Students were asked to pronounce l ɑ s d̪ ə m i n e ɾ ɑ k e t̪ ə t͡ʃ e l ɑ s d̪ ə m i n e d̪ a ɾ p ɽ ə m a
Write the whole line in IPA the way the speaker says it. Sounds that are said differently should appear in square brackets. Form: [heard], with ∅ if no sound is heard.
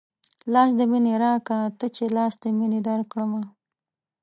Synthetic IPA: l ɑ s d̪ ə m i n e ɾ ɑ k [a] t̪ ə t͡ʃ e l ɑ s d̪ ə m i n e d̪ a ɾ [k] ɽ ə m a